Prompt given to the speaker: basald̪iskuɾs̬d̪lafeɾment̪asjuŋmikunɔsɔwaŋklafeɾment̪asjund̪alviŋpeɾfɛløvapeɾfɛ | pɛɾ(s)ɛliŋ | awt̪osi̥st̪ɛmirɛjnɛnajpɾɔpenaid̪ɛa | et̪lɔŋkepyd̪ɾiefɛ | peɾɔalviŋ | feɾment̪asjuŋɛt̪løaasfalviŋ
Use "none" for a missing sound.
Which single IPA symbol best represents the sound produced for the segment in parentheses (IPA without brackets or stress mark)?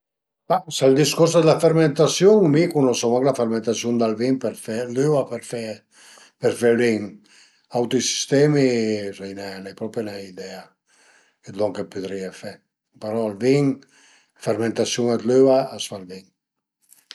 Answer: f